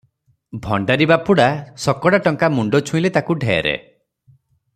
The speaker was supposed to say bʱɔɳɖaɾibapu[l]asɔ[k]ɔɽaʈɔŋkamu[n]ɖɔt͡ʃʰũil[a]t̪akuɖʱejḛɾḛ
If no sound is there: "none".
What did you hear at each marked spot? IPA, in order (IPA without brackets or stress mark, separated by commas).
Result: ɽ, k, ɳ, e